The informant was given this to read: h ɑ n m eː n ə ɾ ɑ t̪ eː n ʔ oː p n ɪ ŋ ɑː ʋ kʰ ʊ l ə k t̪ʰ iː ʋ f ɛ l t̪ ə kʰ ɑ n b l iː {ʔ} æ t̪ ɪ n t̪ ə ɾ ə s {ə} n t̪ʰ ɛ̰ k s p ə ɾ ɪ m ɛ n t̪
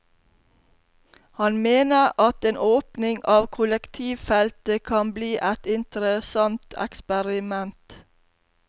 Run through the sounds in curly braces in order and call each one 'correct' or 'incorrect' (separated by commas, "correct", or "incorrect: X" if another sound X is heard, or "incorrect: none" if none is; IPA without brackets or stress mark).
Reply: correct, incorrect: ɑ